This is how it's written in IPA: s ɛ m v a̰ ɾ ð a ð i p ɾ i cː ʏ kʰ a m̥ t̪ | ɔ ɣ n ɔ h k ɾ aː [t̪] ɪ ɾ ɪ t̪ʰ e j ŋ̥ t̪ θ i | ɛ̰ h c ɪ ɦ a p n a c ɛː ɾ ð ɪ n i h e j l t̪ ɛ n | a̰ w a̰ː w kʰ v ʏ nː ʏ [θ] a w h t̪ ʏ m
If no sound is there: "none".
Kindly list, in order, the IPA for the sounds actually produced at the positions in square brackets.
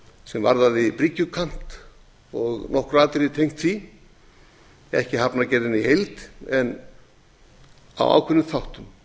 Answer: t̪, θ

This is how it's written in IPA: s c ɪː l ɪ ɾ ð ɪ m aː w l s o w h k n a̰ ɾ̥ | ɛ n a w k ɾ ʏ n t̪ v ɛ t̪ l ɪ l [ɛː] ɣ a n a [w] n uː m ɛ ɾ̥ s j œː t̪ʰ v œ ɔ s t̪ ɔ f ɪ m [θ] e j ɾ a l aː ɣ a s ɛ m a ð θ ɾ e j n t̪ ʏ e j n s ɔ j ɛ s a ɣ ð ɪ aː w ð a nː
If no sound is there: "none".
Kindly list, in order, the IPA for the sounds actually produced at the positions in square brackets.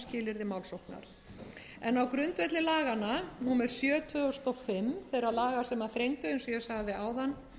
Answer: aː, none, θ

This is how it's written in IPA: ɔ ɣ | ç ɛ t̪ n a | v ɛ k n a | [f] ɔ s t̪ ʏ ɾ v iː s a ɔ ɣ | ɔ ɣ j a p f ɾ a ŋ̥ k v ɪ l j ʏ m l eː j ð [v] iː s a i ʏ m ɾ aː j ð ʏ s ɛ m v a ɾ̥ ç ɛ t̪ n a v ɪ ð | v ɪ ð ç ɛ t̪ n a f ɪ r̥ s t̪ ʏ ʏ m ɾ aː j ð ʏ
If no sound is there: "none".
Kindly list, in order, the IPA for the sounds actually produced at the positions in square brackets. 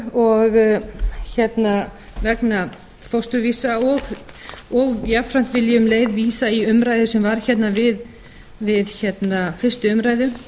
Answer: f, v

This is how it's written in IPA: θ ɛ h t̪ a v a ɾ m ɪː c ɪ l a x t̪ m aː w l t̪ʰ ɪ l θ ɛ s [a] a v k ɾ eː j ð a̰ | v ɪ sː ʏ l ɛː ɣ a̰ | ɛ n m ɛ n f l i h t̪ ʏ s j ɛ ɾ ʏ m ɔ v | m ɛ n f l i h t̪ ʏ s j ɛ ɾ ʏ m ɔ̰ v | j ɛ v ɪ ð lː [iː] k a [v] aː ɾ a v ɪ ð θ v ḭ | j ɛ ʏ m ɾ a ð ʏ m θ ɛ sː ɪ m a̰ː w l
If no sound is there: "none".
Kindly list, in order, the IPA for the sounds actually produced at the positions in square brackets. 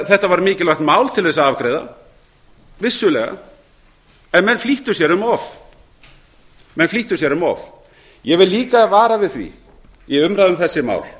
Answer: a, iː, v

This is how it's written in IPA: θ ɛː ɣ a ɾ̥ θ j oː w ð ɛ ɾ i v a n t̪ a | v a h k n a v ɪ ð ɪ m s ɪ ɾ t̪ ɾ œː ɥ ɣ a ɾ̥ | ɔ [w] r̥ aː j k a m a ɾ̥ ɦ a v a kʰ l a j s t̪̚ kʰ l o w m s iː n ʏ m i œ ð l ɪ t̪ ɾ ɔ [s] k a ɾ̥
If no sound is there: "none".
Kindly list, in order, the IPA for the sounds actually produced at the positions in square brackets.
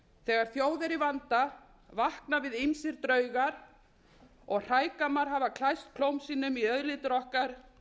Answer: ɣ, h

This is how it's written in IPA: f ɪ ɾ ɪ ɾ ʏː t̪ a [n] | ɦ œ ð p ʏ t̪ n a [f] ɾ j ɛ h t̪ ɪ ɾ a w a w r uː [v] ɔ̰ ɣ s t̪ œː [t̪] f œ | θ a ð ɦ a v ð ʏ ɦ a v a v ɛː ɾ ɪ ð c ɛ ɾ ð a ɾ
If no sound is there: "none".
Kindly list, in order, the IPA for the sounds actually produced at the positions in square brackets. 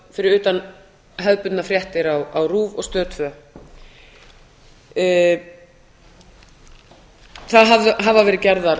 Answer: n, f, v, t̪

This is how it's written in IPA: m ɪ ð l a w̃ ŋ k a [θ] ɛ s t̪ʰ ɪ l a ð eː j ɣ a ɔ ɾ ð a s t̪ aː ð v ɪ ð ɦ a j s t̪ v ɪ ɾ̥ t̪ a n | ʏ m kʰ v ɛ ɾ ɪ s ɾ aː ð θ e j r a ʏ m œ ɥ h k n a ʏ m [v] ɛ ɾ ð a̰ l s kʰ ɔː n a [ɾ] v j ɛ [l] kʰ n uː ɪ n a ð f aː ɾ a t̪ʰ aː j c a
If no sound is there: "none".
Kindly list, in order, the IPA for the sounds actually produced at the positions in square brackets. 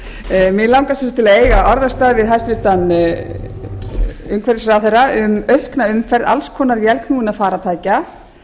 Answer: s, f, ɾ, l

